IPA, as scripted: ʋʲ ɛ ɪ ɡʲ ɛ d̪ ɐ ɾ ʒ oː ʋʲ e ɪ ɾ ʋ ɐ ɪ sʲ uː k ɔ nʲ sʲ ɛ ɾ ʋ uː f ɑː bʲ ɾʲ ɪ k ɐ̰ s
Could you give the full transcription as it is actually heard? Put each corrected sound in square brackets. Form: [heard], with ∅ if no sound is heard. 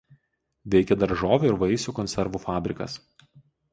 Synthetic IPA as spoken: ʋʲ ɛ ɪ [kʲ] ɛ d̪ ɐ ɾ ʒ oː ʋʲ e ɪ ɾ ʋ ɐ ɪ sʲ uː k ɔ nʲ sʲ ɛ ɾ ʋ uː f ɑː bʲ ɾʲ ɪ k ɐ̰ s